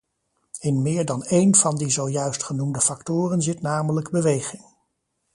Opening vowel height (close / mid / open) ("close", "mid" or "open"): close